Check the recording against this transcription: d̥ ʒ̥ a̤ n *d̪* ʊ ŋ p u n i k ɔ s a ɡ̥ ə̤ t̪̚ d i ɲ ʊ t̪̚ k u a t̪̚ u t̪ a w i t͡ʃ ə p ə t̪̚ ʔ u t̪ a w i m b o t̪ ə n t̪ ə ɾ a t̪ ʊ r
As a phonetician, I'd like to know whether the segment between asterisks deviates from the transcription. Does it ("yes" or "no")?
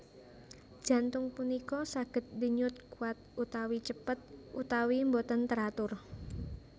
yes